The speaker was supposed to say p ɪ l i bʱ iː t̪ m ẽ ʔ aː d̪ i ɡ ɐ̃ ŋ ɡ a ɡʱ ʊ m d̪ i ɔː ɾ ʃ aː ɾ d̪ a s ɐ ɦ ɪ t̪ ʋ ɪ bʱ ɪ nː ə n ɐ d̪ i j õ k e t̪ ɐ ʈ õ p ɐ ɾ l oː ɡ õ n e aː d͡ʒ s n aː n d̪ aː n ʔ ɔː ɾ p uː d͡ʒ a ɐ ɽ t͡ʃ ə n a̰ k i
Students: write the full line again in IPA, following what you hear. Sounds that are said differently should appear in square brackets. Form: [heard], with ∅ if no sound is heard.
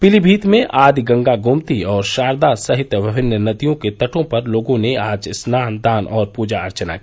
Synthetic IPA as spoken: p ɪ l i bʱ iː t̪ m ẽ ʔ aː d̪ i ɡ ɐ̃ ŋ ɡ a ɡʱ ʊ m [t̪] i ɔː ɾ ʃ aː ɾ d̪ a s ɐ ɦ ɪ t̪ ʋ ɪ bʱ ɪ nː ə n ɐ d̪ i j õ k e t̪ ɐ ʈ õ p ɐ ɾ l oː ɡ õ n e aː d͡ʒ s n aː n d̪ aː n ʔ ɔː ɾ p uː d͡ʒ a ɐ [ɾ] t͡ʃ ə n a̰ k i